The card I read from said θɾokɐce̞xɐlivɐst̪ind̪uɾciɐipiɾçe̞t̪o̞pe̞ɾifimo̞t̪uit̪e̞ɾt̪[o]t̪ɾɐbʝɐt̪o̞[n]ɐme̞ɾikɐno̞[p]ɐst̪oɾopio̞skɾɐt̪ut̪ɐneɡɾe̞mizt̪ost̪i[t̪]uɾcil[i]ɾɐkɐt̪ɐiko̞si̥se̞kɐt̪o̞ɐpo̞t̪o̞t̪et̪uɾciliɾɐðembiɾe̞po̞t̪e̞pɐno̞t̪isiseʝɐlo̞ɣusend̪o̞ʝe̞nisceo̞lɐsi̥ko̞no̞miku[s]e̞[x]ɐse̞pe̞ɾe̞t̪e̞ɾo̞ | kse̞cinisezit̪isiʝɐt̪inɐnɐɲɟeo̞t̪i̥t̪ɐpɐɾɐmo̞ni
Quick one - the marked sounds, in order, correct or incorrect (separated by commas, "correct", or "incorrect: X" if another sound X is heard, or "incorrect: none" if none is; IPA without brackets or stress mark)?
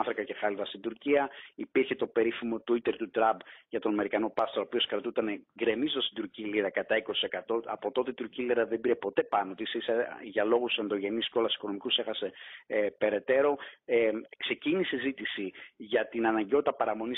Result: incorrect: u, correct, correct, incorrect: d̪, correct, correct, correct